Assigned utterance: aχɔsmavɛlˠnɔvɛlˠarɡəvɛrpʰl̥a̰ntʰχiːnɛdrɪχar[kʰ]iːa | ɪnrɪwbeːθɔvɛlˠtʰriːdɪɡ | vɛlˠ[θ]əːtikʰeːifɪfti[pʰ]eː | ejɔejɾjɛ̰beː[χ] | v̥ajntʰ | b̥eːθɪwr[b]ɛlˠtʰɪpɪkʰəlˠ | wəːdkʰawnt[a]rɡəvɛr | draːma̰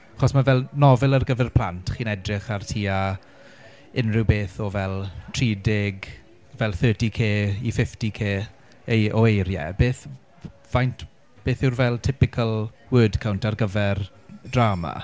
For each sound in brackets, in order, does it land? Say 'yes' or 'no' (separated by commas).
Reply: no, yes, no, no, no, yes